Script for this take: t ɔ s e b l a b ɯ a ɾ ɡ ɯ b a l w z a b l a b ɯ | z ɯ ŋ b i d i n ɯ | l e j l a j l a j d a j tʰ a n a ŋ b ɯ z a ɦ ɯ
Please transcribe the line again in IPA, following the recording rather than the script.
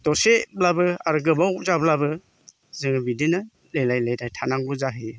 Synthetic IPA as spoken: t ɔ s e b l a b ɯ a ɾ ɡ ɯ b a w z a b l a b ɯ | z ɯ ŋ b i d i n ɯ | l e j l a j l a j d a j tʰ a n a ŋ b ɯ z a ɦ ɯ